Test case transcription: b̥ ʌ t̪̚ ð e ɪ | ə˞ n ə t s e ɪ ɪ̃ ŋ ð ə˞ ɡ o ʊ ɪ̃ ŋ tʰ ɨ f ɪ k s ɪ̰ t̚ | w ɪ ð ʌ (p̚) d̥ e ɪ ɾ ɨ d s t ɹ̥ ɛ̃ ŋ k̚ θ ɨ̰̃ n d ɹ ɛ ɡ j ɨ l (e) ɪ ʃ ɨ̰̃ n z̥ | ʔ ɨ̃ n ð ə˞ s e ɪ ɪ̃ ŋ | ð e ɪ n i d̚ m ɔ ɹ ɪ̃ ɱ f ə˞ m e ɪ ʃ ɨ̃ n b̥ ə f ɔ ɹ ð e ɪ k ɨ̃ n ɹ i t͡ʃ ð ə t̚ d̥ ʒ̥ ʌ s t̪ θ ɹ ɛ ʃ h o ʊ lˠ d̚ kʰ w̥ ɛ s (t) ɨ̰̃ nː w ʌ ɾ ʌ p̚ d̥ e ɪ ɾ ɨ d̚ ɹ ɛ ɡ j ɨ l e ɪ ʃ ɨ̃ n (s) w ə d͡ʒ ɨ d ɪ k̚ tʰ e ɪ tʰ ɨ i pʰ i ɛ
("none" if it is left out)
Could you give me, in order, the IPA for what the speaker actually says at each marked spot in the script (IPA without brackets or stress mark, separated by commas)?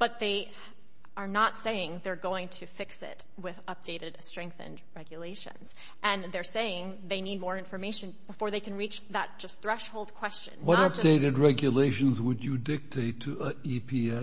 p̚, e, t͡ʃ, z